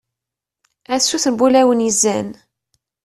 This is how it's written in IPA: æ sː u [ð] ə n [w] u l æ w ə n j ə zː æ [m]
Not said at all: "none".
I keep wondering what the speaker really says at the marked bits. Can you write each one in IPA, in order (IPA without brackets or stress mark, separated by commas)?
θ, b, n